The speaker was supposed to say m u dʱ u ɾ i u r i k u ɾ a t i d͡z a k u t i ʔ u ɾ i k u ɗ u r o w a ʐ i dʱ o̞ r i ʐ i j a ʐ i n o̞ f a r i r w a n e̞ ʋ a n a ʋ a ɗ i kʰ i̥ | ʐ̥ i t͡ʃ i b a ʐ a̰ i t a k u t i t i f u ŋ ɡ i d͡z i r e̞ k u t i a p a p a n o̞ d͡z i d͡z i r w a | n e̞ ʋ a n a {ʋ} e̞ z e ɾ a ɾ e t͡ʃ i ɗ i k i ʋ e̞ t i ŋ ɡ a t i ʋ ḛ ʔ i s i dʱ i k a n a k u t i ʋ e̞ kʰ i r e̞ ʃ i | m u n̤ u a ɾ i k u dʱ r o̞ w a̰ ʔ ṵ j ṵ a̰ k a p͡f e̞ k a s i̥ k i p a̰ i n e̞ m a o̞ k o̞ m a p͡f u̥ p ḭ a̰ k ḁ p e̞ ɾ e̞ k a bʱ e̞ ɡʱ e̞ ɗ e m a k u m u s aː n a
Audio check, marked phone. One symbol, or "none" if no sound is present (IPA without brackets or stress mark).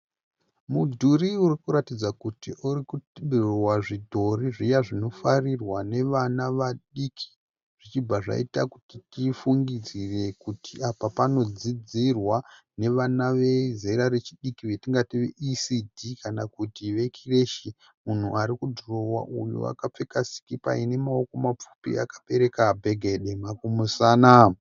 ʋ